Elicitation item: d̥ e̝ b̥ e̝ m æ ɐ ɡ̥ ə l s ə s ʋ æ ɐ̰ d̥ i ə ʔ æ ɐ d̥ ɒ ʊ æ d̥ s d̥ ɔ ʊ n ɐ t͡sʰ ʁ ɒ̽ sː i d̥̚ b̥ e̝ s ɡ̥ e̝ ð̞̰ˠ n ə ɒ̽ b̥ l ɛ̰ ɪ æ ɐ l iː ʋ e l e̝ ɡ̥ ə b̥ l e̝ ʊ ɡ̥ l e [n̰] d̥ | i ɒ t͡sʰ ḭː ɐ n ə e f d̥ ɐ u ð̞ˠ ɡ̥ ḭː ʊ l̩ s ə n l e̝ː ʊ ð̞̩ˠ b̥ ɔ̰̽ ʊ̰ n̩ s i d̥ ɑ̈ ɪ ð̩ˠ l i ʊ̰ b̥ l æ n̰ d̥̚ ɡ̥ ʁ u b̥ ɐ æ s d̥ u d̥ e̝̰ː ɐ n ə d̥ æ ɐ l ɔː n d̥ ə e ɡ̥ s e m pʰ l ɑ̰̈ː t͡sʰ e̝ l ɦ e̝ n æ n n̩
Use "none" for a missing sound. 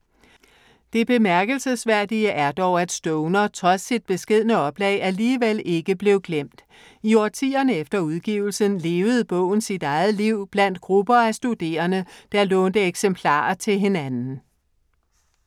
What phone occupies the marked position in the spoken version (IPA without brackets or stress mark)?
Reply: m̰